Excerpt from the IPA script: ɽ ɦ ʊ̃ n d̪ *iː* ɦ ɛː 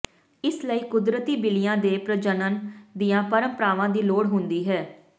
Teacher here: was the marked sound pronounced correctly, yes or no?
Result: yes